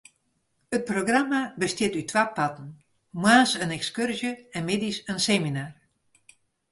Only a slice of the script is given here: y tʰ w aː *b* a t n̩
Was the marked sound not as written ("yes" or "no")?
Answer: yes